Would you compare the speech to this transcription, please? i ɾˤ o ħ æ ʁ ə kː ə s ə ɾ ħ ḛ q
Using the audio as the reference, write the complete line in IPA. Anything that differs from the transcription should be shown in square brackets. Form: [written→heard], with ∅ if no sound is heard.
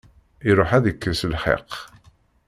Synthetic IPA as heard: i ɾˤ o ħ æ [ʁ→ð] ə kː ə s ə [ɾ→l] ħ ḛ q